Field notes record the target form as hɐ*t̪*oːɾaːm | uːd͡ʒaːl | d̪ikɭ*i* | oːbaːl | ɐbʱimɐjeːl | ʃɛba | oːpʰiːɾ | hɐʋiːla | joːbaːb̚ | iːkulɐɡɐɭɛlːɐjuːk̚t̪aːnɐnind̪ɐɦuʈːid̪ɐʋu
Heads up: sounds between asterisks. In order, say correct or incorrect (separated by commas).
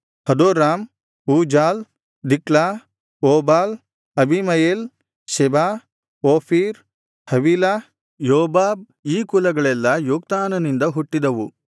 incorrect, incorrect